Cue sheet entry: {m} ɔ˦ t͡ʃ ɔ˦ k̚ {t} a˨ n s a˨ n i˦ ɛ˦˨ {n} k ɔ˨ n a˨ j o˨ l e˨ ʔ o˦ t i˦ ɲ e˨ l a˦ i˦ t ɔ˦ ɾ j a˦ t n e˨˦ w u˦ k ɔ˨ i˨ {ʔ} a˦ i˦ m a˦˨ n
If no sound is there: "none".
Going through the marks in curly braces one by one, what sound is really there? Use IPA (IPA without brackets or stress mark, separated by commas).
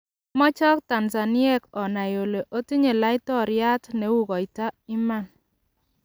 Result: m, t, none, t